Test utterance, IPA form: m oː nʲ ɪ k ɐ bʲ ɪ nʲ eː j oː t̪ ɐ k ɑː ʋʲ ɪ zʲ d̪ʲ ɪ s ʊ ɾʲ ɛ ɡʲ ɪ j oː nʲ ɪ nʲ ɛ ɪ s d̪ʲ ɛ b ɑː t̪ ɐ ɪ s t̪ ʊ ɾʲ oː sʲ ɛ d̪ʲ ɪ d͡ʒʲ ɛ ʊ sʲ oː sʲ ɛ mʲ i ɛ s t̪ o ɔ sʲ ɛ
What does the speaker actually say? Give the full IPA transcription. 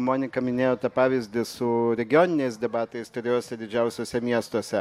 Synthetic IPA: m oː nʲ ɪ k ɐ mʲ ɪ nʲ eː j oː t̪ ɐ p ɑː ʋʲ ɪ zʲ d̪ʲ ɪ s ʊ ɾʲ ɛ ɡʲ ɪ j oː nʲ ɪ nʲ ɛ ɪ s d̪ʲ ɛ b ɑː t̪ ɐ ɪ s t̪ ʊ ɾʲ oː sʲ ɛ d̪ʲ ɪ d͡ʒʲ ɛ ʊ sʲ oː sʲ ɛ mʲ i ɛ s t̪ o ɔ sʲ ɛ